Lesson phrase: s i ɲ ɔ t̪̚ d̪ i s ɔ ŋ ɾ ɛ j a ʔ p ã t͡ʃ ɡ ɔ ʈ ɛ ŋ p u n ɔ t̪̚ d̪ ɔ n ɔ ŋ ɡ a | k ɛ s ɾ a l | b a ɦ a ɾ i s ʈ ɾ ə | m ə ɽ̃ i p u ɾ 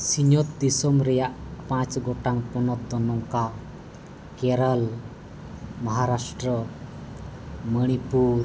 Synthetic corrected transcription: s i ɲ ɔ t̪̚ d̪ i s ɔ m ɾ ɛ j a ʔ p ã t͡ʃ ɡ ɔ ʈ a ŋ p ɔ n ɔ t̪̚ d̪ ɔ n ɔ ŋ k a | k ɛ ɾ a l | m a ɦ a ɾ a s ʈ ɾ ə | m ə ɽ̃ i p u ɾ